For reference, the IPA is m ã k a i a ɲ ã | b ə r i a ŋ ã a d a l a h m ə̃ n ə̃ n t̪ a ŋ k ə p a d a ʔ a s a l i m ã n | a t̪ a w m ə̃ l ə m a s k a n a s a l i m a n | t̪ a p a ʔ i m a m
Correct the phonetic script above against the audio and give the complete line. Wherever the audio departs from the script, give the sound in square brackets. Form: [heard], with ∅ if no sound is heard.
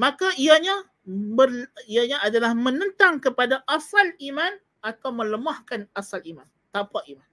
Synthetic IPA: m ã k a i a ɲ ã | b ə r i a [ɲ] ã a d a l a h m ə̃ n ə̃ n t̪ a ŋ k ə p a d a ʔ a s a l i m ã n | a t̪ a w m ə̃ l ə m a [h] k a n a s a l i m a n | t̪ a p a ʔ i m a [n]